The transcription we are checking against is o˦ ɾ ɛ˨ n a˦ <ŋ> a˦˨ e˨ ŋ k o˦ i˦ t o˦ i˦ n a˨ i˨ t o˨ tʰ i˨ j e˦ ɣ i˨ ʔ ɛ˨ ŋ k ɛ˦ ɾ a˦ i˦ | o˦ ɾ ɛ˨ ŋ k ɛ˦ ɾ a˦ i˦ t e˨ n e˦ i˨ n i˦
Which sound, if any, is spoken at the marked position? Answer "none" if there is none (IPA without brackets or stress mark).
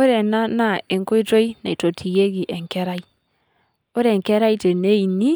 n